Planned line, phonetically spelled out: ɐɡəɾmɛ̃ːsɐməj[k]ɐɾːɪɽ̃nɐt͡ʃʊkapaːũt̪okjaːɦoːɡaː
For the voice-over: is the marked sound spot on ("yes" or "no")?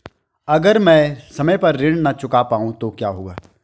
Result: no